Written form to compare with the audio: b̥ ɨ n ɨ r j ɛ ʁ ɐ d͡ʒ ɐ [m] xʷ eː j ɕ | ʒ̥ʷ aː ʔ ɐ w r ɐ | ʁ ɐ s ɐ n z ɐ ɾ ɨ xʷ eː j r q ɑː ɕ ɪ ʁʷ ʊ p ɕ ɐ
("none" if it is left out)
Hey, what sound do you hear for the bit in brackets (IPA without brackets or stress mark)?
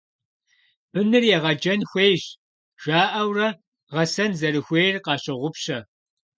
n